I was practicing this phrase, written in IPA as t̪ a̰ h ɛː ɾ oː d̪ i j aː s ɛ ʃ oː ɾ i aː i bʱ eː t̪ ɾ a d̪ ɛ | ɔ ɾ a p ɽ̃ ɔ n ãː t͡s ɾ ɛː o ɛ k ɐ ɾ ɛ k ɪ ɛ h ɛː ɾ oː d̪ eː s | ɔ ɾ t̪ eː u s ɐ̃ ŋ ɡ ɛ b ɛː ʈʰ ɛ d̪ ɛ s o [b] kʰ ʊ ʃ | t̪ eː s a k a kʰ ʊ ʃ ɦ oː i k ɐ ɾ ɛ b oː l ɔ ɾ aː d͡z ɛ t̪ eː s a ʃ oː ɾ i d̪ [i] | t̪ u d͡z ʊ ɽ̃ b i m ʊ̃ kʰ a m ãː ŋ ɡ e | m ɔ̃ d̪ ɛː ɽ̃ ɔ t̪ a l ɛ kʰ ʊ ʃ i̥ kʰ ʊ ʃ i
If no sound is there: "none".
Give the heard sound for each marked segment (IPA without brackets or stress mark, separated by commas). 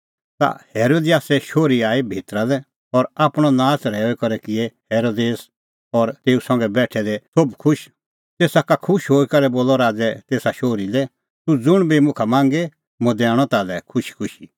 b, ɛ